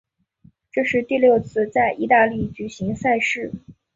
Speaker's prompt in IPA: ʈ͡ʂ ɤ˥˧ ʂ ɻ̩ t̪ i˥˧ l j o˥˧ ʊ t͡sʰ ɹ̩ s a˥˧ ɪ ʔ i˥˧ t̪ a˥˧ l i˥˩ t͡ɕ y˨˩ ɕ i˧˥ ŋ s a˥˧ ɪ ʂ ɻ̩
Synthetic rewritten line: ʈ͡ʂ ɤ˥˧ ʂ ɻ̩ t̪ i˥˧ l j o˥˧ ʊ t͡sʰ ɹ̩ t͡s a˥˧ ɪ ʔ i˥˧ t̪ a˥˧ l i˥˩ t͡ɕ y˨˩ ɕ i˧˥ ŋ s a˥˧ ɪ ʂ ɻ̩